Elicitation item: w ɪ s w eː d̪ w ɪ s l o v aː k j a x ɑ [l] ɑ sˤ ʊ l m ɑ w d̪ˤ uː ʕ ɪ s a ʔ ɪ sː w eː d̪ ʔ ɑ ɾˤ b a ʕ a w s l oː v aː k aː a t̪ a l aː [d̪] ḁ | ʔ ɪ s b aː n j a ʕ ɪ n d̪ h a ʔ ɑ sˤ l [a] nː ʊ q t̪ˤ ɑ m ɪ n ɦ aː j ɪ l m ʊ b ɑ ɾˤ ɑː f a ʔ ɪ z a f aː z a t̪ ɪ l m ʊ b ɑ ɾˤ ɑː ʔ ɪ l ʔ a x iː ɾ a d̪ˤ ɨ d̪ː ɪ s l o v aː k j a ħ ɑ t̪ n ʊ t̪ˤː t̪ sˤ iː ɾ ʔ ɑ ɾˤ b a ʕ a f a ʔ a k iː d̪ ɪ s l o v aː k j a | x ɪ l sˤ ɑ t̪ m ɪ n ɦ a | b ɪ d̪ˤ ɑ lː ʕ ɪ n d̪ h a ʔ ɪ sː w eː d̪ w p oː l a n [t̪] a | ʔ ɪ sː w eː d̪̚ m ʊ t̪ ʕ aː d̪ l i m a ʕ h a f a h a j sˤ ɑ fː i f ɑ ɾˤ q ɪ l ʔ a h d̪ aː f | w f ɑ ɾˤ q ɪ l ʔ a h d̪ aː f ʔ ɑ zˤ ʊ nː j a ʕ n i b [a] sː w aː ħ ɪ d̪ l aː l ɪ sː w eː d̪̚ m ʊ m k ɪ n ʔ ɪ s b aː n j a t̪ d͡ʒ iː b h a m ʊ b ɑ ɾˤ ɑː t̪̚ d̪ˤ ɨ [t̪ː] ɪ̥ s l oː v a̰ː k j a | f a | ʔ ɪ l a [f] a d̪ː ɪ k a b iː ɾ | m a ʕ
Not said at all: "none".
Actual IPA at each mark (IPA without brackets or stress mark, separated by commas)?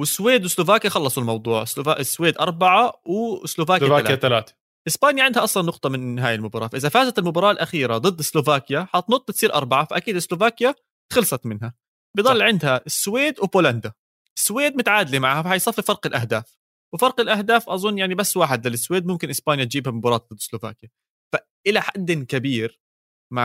lː, t̪, ɑ, d̪, a, d̪ː, ħ